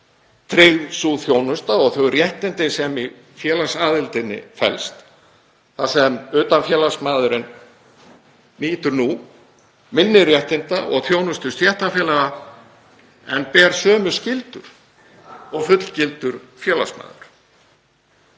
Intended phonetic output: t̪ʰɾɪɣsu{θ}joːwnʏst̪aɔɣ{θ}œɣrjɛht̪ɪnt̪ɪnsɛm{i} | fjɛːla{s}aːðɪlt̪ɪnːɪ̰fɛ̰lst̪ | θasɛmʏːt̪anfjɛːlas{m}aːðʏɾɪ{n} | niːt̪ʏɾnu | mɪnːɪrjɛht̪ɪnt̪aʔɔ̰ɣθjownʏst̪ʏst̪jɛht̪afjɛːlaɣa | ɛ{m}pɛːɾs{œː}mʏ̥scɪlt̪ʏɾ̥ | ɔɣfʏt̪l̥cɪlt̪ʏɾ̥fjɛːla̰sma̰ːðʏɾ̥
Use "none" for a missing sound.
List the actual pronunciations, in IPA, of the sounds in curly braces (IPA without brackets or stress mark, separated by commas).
θ, θ, i, s, m, n, n, œː